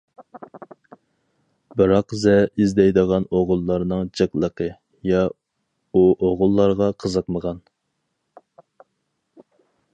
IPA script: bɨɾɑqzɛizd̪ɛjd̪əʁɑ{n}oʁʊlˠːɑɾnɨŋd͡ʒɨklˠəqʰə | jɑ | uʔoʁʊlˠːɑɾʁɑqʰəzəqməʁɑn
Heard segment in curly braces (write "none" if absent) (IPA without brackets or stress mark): n